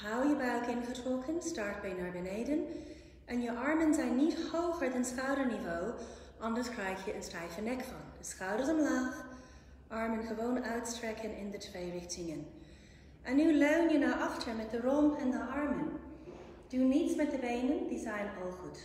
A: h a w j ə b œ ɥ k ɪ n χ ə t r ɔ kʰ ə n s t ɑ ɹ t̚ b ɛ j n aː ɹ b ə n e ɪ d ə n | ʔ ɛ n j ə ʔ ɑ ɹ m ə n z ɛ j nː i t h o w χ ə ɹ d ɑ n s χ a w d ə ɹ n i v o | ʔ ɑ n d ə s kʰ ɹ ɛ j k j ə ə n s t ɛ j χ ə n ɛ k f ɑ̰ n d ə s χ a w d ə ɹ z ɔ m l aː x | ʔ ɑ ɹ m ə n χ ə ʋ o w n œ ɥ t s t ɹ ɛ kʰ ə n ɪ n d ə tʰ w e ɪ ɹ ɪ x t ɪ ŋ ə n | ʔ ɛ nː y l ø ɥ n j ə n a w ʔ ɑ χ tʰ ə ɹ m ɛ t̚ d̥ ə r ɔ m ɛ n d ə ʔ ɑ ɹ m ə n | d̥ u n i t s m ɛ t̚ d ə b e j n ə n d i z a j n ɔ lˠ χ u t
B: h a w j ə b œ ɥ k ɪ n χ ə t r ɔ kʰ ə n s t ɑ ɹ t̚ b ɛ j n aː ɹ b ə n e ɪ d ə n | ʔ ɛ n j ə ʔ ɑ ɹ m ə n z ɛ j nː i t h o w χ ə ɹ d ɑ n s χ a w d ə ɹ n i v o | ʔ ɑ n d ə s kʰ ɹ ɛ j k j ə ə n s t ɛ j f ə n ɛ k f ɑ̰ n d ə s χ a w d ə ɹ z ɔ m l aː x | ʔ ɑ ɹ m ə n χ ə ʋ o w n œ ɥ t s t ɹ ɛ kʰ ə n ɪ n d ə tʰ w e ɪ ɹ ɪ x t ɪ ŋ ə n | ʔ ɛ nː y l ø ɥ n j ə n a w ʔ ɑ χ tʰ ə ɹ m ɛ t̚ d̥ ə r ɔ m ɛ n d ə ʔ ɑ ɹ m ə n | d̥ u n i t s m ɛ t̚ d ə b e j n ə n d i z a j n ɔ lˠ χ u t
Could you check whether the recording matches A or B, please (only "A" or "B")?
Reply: B